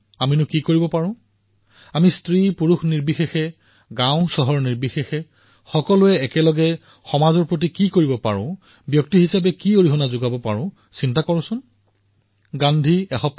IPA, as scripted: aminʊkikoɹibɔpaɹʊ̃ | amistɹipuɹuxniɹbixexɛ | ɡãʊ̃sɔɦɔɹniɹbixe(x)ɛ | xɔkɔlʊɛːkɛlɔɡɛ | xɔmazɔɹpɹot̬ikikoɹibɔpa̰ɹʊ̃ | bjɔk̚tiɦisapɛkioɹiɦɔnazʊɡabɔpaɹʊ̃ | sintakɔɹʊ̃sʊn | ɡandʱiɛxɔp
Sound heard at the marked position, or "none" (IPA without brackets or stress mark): x